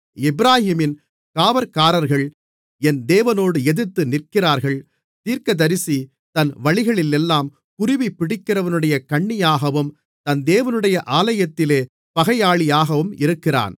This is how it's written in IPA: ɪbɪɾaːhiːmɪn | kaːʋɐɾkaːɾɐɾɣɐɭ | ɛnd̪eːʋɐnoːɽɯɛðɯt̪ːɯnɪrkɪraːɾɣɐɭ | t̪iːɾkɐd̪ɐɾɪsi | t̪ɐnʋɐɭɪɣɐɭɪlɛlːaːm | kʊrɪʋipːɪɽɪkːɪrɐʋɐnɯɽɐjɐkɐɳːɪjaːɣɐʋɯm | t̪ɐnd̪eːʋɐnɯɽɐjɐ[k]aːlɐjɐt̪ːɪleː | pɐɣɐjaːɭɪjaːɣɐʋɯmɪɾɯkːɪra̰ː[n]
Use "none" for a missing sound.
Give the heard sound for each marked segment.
ʔ, n

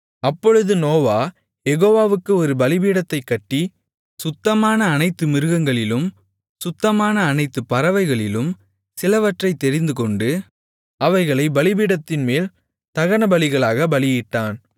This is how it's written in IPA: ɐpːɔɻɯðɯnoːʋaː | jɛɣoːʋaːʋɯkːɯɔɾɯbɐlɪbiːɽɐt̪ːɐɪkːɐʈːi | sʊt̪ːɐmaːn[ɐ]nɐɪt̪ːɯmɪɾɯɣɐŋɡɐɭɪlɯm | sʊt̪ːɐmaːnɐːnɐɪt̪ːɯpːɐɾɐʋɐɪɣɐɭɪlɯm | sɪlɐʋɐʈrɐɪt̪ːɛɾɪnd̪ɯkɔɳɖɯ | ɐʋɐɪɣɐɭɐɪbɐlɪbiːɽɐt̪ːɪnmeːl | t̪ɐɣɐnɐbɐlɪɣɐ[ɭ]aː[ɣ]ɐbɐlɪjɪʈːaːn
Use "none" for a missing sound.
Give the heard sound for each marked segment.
ɐː, ɭ, ɣ

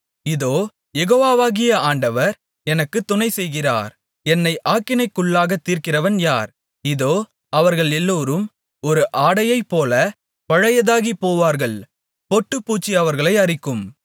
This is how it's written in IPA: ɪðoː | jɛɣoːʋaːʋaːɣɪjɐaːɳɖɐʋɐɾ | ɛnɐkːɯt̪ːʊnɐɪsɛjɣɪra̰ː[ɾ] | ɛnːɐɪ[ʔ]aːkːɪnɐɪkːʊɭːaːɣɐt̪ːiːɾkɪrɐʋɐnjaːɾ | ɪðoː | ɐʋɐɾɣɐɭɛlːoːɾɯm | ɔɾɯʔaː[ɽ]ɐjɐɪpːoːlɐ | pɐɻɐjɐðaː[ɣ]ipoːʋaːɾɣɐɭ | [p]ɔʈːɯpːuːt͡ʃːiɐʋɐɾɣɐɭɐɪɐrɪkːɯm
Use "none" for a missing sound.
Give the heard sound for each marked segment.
ɾ, ʔ, ɽ, ɣ, p

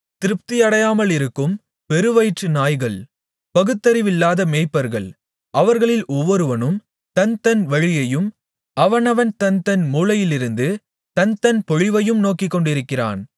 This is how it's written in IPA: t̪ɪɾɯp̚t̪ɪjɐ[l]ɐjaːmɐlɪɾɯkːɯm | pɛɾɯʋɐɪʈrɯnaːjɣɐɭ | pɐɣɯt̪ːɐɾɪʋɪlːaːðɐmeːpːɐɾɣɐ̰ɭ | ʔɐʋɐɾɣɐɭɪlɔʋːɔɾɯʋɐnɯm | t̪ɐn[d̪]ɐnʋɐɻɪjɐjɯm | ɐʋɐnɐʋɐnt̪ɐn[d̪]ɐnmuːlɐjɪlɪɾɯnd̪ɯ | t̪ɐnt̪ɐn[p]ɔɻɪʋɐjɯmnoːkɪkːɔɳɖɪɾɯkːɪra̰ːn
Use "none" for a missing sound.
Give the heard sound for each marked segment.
ɽ, t̪, t̪, p

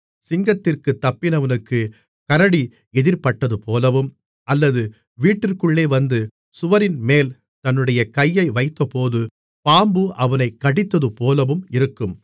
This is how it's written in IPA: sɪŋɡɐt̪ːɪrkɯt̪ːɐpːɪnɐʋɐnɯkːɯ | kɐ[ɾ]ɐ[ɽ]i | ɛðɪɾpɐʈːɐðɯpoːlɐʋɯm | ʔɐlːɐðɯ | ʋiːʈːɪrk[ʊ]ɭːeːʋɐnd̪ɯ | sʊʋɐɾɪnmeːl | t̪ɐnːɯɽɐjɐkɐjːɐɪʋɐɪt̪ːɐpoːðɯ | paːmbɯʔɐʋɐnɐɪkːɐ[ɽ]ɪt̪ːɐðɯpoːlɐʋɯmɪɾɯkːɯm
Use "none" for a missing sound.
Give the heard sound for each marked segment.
ɾ, ɽ, ɯ, ɽ

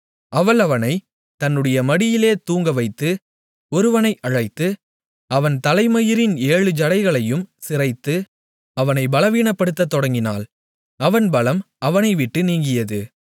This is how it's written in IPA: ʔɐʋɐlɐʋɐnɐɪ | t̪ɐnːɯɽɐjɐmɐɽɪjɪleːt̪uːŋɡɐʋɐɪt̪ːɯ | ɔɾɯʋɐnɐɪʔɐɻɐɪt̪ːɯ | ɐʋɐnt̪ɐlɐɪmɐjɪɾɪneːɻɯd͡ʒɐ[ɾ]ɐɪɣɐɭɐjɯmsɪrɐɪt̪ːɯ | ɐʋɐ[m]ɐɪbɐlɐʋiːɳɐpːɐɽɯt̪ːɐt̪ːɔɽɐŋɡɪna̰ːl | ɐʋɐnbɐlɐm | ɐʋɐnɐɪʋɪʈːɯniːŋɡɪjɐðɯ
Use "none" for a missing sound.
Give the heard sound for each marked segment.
ɽ, n

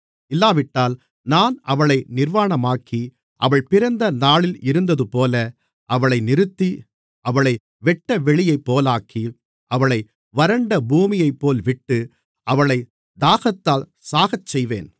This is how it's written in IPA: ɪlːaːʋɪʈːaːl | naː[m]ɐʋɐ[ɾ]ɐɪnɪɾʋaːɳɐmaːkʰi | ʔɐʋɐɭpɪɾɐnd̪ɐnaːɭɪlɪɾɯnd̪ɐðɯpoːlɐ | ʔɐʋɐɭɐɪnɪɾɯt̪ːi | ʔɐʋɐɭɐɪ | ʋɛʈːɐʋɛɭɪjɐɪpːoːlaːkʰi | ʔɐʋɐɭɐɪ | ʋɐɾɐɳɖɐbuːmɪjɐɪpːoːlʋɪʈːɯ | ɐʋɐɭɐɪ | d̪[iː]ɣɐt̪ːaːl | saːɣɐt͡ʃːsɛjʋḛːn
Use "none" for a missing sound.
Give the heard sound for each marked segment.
n, ɭ, aː

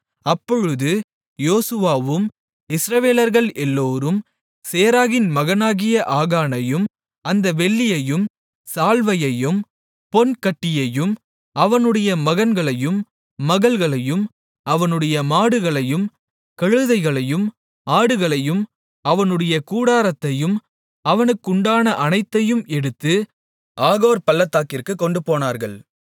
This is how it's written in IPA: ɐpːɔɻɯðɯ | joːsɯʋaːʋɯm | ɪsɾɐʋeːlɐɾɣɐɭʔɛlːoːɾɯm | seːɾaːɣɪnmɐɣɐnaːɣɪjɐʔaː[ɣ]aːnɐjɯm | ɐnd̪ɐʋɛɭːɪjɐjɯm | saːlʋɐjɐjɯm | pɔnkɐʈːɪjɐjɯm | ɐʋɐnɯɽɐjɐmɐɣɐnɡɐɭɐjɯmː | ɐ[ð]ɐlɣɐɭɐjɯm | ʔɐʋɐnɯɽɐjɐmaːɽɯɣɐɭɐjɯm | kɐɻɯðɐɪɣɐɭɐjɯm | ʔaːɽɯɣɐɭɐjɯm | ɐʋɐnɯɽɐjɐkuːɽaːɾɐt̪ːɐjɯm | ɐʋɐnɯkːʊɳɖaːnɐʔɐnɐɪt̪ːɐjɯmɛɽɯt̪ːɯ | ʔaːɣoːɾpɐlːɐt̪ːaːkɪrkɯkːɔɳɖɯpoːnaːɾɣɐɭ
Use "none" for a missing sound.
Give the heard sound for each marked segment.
ɣ, ɣ

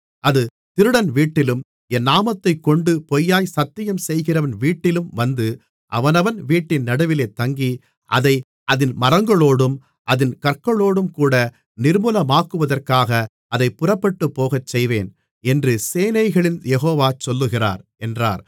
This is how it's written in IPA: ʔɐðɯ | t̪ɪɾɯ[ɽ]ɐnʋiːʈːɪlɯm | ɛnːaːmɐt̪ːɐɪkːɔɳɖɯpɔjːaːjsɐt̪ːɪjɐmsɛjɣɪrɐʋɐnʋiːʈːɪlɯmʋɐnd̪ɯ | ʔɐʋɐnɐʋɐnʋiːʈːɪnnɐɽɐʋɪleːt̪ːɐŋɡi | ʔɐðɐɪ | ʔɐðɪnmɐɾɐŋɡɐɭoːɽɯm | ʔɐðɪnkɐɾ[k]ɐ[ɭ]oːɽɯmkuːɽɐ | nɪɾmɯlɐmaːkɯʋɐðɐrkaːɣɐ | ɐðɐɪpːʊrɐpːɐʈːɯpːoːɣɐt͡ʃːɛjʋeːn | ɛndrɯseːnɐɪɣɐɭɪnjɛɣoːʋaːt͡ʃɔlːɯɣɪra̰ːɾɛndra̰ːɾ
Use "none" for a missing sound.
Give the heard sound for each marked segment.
ɽ, k, ɭ

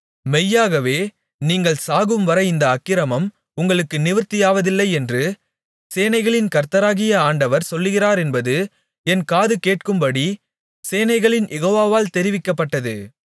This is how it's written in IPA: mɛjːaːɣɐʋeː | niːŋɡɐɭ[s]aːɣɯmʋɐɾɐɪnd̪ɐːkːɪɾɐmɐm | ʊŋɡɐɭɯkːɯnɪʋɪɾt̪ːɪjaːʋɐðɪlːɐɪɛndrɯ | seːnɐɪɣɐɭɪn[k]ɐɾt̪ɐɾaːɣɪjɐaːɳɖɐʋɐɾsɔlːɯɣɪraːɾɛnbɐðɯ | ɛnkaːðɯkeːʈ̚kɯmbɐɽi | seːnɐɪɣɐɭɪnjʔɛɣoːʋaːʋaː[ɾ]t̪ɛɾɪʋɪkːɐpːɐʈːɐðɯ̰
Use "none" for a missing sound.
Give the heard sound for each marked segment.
s, k, l

